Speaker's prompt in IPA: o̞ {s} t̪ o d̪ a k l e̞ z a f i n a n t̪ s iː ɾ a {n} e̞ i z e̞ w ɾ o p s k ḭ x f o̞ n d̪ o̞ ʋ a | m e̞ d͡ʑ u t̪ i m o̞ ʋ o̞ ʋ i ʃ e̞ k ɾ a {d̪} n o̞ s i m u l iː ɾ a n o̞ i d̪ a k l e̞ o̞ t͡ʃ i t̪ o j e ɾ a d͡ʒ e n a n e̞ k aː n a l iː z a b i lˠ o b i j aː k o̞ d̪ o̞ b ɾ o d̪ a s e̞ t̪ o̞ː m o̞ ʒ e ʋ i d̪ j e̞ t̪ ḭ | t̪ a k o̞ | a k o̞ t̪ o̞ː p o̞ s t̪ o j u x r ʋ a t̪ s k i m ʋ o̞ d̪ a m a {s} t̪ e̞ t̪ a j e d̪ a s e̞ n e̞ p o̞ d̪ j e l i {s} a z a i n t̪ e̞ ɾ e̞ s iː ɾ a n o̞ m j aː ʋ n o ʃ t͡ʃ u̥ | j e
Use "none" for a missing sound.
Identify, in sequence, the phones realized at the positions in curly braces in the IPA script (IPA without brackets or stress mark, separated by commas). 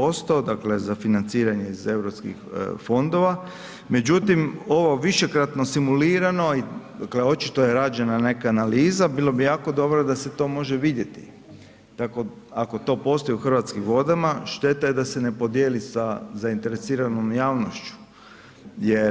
s, ɲ, t̪, ʃ, s